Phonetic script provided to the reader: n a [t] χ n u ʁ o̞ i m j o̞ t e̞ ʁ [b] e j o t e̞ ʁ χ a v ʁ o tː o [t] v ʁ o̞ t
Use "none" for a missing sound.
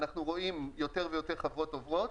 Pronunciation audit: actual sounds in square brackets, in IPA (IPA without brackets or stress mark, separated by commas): none, v, none